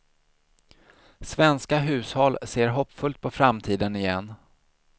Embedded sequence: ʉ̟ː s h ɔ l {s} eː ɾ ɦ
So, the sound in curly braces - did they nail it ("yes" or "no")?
yes